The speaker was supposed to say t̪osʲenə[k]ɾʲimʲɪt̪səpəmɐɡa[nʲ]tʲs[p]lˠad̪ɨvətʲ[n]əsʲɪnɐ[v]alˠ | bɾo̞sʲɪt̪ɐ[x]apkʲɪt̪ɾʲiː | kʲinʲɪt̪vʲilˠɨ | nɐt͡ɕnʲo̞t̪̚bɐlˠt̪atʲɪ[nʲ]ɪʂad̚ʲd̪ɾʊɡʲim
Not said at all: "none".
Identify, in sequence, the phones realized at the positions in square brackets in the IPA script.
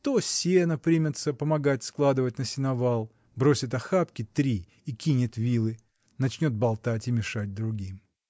p, none, k, n, v, x, mʲ

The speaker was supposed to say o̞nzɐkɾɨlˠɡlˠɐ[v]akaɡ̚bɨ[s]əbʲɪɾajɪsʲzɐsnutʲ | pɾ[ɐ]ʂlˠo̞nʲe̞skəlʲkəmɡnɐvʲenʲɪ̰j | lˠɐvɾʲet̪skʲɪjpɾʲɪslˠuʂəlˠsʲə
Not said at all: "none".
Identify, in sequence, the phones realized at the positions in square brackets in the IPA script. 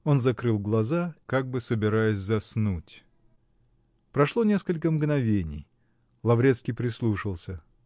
z, s, ɐ

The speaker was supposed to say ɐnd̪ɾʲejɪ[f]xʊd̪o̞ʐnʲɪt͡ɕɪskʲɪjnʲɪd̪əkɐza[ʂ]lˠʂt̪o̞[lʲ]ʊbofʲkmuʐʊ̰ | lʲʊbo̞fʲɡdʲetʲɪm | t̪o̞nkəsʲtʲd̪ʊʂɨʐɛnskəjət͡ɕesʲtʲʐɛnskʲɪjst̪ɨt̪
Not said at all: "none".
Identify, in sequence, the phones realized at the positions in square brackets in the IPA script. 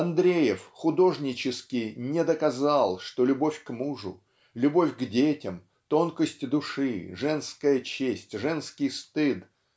f, none, lʲ

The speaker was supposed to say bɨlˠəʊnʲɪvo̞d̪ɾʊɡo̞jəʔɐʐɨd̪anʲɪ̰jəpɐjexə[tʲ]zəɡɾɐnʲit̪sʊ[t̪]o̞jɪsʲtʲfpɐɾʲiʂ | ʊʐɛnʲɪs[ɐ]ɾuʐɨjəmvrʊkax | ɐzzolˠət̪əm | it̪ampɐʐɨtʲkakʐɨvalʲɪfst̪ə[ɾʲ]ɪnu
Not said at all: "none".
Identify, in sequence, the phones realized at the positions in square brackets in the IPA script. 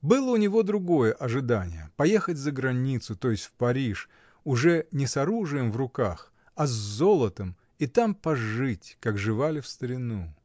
tʲ, t̪, ɐ, ɾʲ

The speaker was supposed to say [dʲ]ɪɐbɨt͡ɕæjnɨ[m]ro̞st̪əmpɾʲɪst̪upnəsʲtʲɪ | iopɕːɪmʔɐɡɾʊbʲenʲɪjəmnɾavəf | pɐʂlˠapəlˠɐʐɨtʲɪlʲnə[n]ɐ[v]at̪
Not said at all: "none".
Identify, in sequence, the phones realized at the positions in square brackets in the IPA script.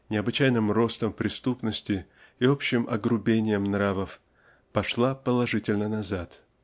nʲ, m, n, z

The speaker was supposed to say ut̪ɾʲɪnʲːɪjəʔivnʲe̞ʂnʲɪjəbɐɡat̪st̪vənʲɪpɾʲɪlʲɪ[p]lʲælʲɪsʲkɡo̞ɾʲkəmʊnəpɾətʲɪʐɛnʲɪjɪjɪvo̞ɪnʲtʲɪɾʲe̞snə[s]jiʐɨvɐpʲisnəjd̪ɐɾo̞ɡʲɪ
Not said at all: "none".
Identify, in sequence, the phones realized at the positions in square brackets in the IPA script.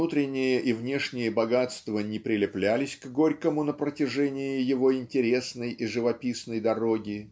p, none

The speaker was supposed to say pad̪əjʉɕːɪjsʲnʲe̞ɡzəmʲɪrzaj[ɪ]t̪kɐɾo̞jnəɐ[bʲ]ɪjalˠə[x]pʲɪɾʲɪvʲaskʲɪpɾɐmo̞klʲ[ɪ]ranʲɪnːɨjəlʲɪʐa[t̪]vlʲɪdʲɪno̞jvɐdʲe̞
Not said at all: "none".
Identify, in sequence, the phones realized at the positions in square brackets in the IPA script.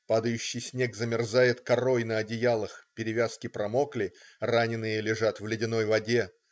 ɪ, dʲ, x, ɪ, t̪

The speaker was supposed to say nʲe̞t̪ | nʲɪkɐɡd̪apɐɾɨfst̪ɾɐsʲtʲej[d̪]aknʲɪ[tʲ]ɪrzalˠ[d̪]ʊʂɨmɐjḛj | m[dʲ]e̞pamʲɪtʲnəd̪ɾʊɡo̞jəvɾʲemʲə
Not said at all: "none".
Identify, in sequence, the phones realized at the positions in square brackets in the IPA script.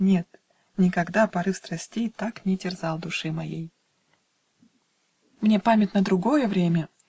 t̪, tʲ, d̪, nʲ

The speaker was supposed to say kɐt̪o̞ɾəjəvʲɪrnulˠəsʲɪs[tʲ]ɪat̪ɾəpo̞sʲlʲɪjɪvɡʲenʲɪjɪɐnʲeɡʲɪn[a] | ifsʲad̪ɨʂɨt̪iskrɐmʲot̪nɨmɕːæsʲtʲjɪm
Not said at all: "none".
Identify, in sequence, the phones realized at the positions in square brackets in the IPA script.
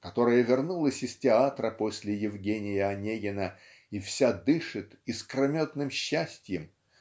tʲ, ə

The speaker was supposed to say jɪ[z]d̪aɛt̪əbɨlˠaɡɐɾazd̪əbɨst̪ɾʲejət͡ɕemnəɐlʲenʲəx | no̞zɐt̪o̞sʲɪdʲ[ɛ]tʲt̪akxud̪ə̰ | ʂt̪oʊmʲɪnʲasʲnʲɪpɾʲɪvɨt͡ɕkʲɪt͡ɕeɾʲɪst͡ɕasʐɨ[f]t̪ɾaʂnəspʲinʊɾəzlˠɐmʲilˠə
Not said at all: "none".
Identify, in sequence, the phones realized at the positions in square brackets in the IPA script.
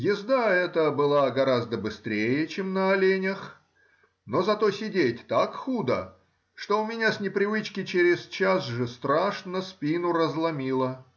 z, e, s

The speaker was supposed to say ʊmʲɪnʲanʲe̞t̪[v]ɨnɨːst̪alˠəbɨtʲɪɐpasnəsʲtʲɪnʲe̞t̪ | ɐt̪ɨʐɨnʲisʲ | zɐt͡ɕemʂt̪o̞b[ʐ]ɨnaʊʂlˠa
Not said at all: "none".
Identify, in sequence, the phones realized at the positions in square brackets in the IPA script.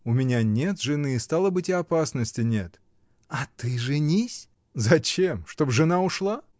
ʐ, ʐ

